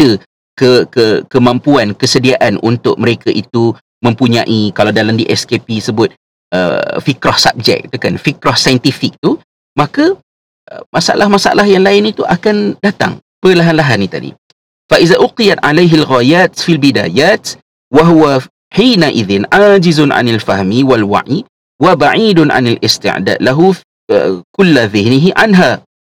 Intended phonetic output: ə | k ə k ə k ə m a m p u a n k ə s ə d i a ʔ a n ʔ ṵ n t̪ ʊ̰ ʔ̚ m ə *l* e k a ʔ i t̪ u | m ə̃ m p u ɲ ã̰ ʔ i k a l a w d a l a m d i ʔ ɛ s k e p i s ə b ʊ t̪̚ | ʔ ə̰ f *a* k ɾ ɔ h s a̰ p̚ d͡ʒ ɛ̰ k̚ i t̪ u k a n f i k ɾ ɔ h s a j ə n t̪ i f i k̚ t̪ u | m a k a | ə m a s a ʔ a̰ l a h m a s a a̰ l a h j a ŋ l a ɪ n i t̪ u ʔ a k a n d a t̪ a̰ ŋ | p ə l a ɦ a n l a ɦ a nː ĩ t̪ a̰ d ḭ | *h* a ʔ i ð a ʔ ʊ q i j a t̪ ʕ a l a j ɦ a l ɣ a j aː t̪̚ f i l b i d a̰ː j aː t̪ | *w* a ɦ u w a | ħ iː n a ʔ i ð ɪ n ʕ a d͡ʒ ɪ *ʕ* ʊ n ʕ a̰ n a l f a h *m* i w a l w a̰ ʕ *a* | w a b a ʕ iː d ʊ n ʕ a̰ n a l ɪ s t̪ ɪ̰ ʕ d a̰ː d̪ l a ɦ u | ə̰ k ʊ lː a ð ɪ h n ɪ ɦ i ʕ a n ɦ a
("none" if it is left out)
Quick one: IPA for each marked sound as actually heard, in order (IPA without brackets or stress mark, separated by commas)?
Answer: ɾ, i, f, w, z, m, i